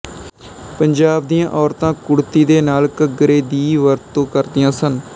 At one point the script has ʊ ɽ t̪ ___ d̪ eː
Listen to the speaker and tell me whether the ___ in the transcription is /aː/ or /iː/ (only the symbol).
iː